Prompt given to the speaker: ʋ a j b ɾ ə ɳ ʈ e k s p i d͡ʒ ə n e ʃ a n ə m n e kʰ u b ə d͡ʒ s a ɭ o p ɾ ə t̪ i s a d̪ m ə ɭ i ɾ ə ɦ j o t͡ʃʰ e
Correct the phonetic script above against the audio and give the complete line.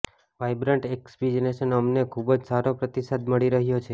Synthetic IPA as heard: ʋ a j b ɾ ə ɳ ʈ e k s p i d͡ʒ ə n e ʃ ə n ə m n e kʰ u b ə d͡ʒ s a ɾ o p ɾ ə t̪ i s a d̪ m ə ɭ i ɾ ə ɦ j o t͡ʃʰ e

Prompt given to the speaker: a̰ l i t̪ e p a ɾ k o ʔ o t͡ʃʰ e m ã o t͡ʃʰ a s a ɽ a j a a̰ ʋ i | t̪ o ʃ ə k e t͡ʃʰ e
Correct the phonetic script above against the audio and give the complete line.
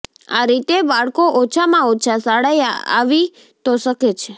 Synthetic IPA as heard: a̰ ɾ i t̪ e b a ɭ k o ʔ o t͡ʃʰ a m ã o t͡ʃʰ a s a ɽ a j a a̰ ʋ i | t̪ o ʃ ə k e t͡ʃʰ e

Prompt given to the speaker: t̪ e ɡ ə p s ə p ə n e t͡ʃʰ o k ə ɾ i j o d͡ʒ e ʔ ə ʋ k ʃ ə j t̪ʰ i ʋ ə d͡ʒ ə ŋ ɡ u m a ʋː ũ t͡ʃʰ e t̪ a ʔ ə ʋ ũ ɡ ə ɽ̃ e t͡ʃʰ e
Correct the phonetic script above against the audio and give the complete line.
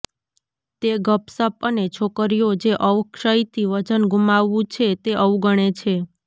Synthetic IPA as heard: t̪ e ɡ ə p s ə p ə n e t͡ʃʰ o k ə ɾ i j o d͡ʒ e ʔ ə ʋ k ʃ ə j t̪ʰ i ʋ ə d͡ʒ ə n ɡ u m a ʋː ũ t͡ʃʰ e t̪ e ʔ ə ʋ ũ ɡ ə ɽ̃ e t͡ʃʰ e

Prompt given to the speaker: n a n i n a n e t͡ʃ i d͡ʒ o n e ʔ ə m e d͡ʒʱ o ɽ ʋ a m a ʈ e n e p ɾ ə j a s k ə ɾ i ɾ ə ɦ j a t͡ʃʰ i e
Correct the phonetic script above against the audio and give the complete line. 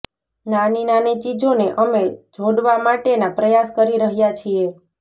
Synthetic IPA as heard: n a n i n a n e t͡ʃ i d͡ʒ o n e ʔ ə m e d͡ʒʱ o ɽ ʋ a m a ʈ e n a p ɾ ə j a s k ə ɾ i ɾ ə ɦ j a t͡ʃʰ i e

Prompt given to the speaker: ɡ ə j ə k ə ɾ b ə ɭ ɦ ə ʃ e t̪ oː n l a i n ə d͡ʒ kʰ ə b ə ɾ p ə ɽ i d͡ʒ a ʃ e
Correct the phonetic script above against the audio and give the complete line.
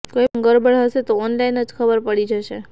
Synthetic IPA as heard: k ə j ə ɡ ə ɾ b ə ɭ ɦ ə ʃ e t̪ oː n l a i n ə d͡ʒ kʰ ə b ə ɾ p ə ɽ i d͡ʒ ə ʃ e

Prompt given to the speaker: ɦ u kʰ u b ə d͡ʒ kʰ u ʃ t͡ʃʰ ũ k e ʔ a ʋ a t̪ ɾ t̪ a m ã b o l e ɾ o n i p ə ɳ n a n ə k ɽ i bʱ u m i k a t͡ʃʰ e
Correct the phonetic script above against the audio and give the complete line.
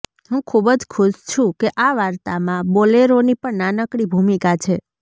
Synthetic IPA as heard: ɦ ũ kʰ u b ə d͡ʒ kʰ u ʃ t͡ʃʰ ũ k e ʔ a ʋ a ɾ t̪ a m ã b o l e ɾ o n i p ə ɳ n a n ə k ɽ i bʱ u m i k a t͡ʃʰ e

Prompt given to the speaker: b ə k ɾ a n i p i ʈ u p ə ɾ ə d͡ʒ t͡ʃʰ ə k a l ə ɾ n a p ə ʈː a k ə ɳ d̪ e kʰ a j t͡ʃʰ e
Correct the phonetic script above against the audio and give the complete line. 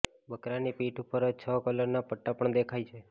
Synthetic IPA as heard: b ə k ɾ a n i p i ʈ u p ə ɾ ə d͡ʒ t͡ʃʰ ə k ə l ə ɾ n a p ə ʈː a p ə ɳ d̪ e kʰ a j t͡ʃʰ e

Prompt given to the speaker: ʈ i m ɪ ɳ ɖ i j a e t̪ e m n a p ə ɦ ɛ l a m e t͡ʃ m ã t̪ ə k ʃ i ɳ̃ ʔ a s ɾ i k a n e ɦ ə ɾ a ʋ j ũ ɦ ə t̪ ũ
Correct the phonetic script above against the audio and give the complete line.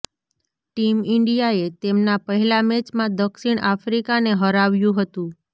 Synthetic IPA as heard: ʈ i m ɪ ɳ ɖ i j a e t̪ e m n a p ə ɦ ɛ l a m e t͡ʃ m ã d̪ ə k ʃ i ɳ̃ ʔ a f ɾ i k a n e ɦ ə ɾ a ʋ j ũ ɦ ə t̪ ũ

